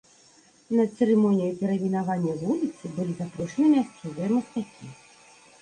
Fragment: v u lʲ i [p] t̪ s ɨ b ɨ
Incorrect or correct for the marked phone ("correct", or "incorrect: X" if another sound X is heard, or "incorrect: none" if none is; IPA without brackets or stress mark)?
incorrect: none